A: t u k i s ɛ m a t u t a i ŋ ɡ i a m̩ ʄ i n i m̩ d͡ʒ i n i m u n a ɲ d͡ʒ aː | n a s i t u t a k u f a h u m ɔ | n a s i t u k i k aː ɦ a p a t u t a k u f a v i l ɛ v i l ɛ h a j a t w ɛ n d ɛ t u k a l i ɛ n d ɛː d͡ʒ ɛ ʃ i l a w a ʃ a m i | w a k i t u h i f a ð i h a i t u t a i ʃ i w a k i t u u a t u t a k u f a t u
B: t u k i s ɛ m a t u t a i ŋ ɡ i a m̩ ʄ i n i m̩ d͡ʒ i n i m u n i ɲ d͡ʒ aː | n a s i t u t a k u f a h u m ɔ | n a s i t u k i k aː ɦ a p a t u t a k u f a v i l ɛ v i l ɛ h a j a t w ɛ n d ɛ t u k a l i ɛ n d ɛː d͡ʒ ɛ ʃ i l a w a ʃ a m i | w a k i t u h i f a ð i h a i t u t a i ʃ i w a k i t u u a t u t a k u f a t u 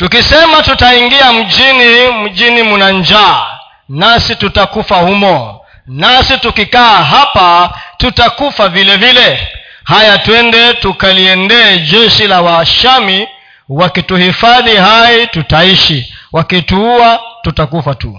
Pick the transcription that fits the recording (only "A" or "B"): A